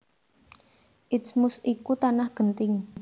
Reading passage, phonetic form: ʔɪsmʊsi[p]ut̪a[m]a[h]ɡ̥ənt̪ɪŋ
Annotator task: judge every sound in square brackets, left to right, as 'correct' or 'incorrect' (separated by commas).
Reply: incorrect, incorrect, correct